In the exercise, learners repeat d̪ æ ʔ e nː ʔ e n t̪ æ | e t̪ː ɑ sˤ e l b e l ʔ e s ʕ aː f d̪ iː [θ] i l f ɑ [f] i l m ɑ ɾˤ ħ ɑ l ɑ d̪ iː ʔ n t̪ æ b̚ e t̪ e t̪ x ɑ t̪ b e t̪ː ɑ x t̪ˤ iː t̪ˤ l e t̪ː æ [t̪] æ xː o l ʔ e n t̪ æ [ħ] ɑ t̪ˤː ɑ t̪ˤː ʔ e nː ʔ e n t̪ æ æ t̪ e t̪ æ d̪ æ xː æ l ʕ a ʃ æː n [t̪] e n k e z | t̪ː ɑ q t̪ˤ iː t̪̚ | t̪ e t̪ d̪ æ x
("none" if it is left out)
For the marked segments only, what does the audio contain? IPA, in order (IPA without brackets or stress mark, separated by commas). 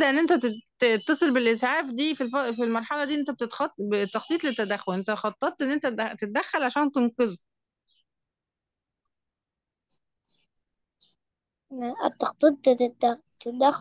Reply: f, f, d̪, x, t̪